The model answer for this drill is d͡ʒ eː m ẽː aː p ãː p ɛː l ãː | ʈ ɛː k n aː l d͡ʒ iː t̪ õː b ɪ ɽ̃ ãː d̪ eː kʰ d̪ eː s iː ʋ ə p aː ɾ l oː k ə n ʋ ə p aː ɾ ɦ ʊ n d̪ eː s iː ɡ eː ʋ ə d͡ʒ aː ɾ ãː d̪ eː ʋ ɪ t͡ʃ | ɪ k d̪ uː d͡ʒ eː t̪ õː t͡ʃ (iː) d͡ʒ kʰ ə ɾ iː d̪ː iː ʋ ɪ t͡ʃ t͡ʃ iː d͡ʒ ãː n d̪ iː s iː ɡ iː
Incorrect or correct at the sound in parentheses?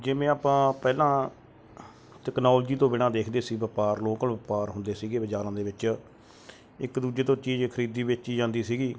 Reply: correct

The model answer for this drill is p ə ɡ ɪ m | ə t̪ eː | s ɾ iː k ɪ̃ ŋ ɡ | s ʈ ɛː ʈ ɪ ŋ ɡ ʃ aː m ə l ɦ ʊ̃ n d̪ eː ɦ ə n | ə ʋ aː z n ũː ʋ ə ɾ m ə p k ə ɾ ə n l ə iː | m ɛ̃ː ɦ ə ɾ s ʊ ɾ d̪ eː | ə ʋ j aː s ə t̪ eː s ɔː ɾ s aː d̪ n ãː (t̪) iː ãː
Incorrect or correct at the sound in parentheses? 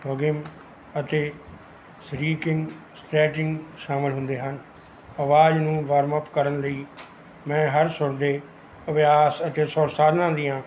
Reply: incorrect: d̪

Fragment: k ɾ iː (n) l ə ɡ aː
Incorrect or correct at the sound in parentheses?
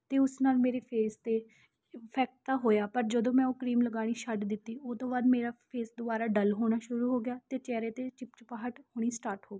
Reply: incorrect: m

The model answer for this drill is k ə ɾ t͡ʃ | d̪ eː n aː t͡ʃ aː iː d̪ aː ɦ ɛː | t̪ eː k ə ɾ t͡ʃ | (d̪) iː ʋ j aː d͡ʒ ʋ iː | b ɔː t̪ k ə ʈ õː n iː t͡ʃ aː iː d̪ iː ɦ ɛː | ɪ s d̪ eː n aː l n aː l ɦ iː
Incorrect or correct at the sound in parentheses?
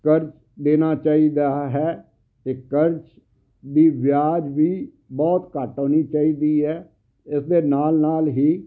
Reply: correct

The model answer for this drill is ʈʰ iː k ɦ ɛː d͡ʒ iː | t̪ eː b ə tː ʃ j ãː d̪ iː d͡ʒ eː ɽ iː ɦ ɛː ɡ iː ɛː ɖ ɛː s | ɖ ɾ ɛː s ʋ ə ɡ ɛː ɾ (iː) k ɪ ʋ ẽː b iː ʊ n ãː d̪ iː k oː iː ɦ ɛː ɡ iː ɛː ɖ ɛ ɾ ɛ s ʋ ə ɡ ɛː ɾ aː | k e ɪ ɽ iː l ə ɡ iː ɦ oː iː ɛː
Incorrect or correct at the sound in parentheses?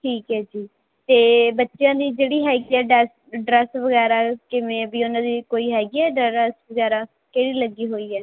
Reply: incorrect: aː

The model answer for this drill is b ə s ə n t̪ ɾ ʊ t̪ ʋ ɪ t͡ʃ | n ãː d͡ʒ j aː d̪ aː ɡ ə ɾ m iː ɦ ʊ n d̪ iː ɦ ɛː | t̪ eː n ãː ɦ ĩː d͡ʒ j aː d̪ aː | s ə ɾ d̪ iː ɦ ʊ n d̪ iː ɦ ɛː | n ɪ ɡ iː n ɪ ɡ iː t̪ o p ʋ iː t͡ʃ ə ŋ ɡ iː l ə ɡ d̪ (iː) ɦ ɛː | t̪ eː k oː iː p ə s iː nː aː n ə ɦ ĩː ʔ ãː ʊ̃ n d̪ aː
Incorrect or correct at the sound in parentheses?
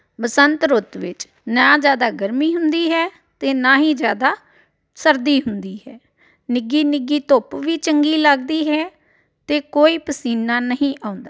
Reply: correct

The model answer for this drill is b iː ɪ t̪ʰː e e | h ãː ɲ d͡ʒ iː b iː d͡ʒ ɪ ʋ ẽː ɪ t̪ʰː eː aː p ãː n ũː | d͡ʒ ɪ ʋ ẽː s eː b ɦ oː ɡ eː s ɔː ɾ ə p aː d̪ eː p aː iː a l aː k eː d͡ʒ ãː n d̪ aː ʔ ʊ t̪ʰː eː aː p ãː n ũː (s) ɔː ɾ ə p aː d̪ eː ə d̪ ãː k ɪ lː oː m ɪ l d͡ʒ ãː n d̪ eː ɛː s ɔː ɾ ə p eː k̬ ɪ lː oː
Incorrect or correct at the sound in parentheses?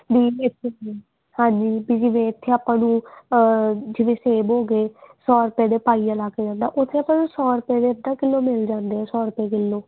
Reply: correct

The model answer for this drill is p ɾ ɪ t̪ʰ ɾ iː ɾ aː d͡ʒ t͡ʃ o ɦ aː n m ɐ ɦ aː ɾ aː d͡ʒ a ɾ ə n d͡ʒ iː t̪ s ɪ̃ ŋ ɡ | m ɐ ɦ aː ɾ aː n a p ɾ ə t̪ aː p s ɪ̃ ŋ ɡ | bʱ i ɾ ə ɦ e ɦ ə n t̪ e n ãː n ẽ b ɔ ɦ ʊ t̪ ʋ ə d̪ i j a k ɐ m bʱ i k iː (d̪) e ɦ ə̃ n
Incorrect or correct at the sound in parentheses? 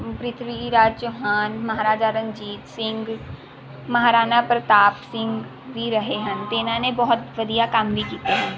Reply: incorrect: t̪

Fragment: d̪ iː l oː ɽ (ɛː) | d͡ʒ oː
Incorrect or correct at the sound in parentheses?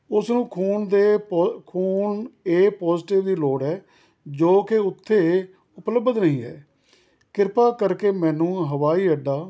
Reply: correct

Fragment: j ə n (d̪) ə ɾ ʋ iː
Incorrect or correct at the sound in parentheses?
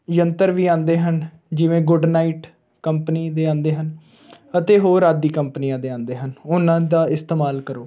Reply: incorrect: t̪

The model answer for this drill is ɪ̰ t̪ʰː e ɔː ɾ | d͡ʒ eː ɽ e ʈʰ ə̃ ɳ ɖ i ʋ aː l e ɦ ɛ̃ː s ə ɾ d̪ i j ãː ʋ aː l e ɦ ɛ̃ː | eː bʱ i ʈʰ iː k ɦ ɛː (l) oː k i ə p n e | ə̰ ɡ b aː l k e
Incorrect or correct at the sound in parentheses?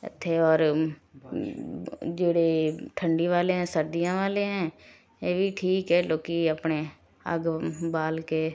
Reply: correct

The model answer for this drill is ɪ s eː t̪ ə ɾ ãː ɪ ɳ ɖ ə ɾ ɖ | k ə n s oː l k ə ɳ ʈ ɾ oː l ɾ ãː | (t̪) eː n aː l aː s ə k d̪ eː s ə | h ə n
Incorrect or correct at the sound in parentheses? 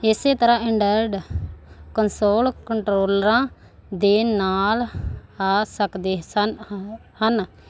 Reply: incorrect: d̪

